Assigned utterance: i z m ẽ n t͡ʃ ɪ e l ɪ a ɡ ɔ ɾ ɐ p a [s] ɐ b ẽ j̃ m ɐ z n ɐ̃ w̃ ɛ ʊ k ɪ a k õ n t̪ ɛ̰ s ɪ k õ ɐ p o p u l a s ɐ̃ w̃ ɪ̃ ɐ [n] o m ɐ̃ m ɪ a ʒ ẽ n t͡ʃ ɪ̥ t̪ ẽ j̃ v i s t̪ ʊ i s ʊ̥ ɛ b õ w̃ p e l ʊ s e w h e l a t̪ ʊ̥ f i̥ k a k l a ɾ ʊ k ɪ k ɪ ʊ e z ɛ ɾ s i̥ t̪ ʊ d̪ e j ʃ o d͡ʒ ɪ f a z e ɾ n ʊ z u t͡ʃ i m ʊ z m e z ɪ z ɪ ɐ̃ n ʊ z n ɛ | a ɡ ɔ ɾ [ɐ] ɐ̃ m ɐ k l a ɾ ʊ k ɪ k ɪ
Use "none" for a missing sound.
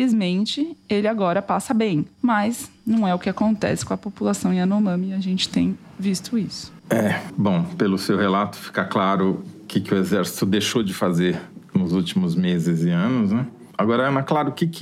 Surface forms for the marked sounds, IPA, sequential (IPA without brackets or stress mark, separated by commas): s, n, ɐ